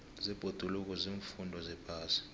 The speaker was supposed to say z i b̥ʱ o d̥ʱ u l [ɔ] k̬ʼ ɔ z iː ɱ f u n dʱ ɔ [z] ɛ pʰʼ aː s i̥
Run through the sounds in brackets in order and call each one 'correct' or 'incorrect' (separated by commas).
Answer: incorrect, correct